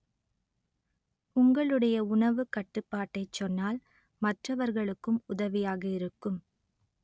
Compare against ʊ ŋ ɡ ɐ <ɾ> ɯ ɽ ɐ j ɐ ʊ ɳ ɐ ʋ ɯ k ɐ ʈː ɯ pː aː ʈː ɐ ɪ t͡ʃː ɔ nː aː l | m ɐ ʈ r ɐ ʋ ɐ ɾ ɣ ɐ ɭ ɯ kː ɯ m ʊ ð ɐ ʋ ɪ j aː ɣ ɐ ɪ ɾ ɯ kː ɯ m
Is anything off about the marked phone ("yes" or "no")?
yes